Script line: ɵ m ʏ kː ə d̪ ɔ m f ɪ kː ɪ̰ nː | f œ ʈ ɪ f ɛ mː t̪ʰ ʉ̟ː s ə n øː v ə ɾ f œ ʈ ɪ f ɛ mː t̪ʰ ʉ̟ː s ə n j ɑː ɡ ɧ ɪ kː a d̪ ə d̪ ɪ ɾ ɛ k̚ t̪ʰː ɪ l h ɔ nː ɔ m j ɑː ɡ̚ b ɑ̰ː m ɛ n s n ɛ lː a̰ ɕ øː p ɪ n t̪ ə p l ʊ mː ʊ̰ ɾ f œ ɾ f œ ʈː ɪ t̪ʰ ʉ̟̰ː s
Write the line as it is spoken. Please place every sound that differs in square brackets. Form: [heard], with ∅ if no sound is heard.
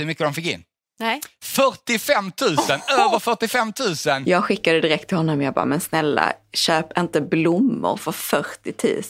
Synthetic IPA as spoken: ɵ m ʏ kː ə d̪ ɔ m f ɪ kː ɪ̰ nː | f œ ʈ ɪ f ɛ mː t̪ʰ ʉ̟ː s ə n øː v ə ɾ f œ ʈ ɪ f ɛ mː t̪ʰ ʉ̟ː s ə n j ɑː ɡ ɧ ɪ kː a d̪ ə d̪ ɪ ɾ ɛ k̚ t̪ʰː ɪ l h ɔ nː ɔ m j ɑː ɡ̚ b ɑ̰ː m ɛ n s n ɛ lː a̰ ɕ øː p ɪ n t̪ ə [b] l ʊ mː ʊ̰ ɾ f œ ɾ f œ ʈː ɪ t̪ʰ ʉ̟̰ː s